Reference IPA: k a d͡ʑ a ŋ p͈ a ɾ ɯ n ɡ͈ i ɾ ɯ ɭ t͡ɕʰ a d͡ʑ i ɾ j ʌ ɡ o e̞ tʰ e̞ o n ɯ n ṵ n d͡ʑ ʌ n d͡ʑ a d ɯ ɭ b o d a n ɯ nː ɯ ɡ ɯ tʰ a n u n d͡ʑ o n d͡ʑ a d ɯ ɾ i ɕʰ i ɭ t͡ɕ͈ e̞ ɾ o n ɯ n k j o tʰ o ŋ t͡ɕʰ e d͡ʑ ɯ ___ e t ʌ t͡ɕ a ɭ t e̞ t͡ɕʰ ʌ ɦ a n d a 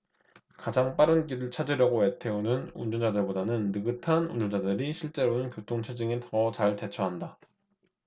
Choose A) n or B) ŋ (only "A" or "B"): B